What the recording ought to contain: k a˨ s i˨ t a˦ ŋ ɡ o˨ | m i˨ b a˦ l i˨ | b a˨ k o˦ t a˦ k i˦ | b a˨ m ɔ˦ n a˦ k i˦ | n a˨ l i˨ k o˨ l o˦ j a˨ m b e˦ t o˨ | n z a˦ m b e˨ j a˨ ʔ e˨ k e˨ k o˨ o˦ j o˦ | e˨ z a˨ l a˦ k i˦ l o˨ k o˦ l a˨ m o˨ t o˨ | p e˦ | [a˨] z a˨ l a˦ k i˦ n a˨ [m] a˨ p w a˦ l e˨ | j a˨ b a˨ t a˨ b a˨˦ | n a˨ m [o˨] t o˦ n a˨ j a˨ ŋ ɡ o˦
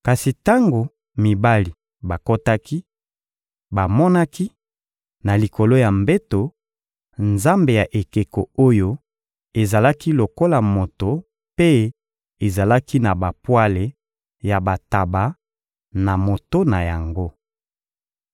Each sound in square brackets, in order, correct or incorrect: incorrect, incorrect, correct

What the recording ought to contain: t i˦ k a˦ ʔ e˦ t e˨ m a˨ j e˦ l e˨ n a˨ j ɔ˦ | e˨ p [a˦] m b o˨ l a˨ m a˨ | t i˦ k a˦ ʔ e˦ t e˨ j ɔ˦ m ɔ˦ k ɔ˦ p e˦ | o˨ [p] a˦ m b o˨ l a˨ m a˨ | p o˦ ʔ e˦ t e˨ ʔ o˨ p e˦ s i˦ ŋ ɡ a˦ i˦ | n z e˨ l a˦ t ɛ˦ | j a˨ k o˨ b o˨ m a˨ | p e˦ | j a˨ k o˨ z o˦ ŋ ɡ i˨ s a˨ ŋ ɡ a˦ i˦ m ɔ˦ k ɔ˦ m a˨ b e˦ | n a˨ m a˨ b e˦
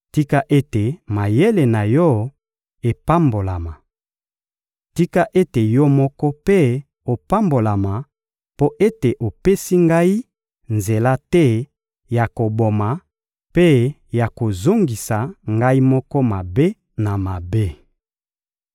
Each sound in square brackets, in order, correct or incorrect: correct, correct

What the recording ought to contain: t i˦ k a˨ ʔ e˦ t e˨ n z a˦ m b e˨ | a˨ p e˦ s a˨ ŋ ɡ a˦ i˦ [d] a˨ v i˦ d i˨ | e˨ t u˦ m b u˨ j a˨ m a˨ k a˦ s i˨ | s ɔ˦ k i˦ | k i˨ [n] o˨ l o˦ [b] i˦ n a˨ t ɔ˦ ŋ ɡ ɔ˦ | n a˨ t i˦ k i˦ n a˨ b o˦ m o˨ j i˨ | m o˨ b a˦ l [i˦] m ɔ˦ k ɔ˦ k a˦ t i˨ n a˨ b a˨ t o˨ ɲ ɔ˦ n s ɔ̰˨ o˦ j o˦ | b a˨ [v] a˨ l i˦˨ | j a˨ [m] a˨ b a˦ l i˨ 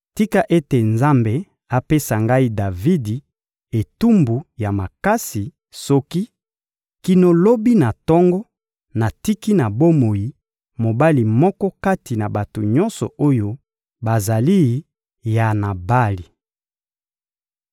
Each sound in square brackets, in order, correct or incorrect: correct, correct, correct, incorrect, incorrect, incorrect

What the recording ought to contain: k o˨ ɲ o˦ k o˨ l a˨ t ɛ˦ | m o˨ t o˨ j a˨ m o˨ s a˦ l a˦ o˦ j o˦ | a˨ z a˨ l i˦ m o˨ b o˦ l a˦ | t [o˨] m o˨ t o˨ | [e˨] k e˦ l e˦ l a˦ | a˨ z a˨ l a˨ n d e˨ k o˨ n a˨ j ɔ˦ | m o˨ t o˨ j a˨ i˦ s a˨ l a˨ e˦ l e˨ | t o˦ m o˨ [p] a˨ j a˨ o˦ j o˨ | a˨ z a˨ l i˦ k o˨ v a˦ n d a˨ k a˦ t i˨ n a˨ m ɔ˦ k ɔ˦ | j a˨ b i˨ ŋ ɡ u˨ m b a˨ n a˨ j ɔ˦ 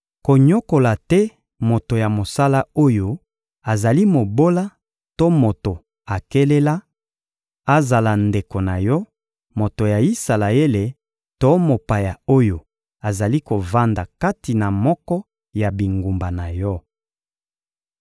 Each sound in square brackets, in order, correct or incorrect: incorrect, incorrect, correct

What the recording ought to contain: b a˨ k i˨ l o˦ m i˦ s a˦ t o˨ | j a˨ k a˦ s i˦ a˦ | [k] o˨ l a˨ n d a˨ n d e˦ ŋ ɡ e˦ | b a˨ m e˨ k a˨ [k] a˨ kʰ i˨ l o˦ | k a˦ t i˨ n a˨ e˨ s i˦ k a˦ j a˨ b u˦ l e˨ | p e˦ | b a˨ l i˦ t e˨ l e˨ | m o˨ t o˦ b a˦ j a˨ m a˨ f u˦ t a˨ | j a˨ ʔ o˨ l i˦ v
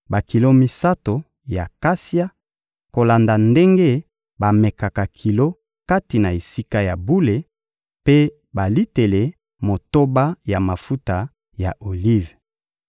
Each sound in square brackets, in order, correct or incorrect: correct, correct

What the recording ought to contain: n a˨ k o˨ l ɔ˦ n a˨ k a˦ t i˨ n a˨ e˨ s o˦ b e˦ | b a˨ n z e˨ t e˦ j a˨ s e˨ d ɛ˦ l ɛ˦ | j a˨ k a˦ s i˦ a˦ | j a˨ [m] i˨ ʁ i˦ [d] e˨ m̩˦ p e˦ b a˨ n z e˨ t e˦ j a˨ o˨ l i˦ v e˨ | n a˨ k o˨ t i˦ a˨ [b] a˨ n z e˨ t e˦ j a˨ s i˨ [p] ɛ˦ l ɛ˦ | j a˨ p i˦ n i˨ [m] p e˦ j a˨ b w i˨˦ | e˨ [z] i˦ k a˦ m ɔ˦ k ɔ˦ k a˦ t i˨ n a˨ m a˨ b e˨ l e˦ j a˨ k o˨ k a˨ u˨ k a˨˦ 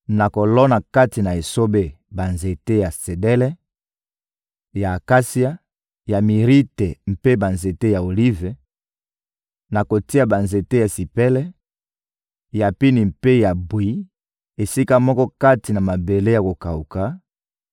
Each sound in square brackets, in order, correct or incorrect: correct, incorrect, correct, correct, correct, incorrect

